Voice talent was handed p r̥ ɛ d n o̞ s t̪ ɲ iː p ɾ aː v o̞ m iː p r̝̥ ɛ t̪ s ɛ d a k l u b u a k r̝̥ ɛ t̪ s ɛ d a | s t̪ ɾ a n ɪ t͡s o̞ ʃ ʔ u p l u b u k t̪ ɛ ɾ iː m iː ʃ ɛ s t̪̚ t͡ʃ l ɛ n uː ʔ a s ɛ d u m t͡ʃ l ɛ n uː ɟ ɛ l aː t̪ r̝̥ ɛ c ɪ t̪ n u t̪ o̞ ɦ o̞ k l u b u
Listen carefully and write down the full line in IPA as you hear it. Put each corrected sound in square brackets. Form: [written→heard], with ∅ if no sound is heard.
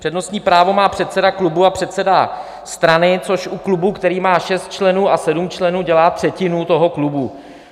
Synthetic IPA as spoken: p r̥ ɛ d n o̞ s t̪ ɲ iː p ɾ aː v o̞ m [iː→aː] p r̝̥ ɛ t̪ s ɛ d a k l u b u a [k→p] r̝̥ ɛ t̪ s ɛ d a | s t̪ ɾ a n ɪ t͡s o̞ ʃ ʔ u [p→k] l u b u k t̪ ɛ ɾ iː m [iː→aː] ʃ ɛ s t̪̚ t͡ʃ l ɛ n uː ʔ a s ɛ d u m t͡ʃ l ɛ n uː ɟ ɛ l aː t̪ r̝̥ ɛ c ɪ [t̪→∅] n u t̪ o̞ ɦ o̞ k l u b u